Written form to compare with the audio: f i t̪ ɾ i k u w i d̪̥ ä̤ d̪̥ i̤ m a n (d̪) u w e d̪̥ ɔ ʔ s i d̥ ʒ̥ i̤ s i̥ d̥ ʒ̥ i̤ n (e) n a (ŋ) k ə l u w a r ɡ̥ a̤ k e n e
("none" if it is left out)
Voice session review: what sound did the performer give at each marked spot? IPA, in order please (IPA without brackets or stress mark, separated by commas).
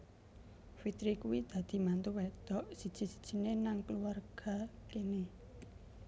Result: t̪, e, ŋ